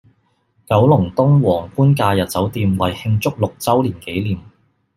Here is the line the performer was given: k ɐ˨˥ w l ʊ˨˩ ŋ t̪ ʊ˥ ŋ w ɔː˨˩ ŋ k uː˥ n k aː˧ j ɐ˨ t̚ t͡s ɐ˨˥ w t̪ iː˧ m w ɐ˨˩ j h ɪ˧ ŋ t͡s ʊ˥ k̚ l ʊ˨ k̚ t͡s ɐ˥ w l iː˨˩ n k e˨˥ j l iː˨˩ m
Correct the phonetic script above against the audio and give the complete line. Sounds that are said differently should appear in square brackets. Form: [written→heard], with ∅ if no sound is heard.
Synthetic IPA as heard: k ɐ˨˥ w l ʊ˨˩ ŋ t̪ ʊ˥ ŋ w ɔː˨˩ ŋ k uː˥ n k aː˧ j ɐ˨ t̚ t͡s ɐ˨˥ w t̪ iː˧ m w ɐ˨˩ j h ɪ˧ ŋ t͡s ʊ˥ k̚ l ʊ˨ k̚ t͡s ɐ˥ w l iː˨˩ n k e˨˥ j l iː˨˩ m